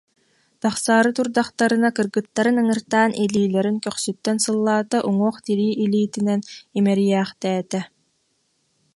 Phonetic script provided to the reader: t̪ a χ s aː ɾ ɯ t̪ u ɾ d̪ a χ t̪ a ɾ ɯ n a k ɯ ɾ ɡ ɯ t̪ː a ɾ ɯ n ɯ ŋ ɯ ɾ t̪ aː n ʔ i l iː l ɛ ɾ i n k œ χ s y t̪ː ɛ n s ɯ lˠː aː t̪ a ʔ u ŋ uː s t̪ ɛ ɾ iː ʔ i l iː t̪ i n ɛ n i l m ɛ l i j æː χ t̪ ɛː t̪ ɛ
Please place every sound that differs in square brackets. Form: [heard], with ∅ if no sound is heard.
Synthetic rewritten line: t̪ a χ s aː ɾ ɯ t̪ u ɾ d̪ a χ t̪ a ɾ ɯ n a k ɯ ɾ ɡ ɯ t̪ː a ɾ ɯ n ɯ ŋ ɯ ɾ t̪ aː n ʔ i l iː l ɛ ɾ i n k œ χ s y t̪ː ɛ n s ɯ lˠː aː t̪ a ʔ u ŋ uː [χ] t̪ [i] ɾ iː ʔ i l iː t̪ i n ɛ n i [∅] m ɛ [ɾ] i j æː χ t̪ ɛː t̪ ɛ